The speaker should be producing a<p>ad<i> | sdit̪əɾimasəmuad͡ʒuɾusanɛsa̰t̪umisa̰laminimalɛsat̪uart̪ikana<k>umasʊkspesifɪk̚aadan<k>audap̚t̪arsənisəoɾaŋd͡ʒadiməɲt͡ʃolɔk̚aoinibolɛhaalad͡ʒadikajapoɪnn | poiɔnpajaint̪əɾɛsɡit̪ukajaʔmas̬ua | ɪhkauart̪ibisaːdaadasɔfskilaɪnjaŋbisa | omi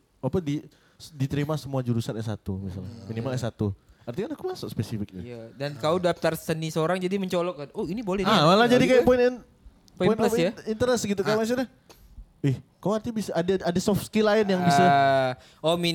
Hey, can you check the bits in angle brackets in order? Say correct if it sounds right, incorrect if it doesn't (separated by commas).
correct, correct, correct, correct